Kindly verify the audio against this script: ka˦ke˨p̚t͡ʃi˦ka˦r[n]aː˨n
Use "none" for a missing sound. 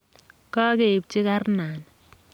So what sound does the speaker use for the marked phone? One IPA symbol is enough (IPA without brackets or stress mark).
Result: n